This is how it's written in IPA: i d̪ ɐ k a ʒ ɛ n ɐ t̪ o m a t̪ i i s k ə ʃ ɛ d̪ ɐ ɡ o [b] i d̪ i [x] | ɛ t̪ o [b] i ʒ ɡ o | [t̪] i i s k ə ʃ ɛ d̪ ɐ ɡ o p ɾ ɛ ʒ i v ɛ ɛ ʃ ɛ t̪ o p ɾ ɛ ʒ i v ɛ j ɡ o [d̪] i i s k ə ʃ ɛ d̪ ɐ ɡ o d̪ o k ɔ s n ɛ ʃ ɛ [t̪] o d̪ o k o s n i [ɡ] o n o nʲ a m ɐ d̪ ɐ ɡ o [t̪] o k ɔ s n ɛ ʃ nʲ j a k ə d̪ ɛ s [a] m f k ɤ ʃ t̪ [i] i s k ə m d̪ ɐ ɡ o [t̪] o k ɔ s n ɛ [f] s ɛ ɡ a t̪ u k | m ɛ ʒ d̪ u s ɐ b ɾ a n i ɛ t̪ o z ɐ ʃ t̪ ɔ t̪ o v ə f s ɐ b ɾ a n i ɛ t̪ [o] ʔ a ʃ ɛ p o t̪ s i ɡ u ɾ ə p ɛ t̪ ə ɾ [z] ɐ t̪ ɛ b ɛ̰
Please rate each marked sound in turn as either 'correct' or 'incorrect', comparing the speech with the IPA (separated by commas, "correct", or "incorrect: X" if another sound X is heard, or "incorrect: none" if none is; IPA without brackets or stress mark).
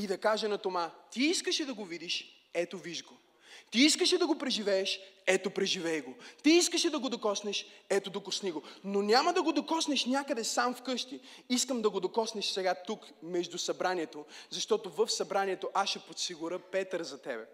incorrect: v, incorrect: ʃ, incorrect: v, correct, incorrect: t̪, correct, correct, incorrect: d̪, correct, correct, incorrect: d̪, incorrect: ʃ, correct, correct